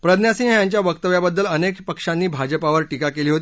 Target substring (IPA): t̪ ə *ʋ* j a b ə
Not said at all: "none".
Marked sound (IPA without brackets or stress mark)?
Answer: ʋ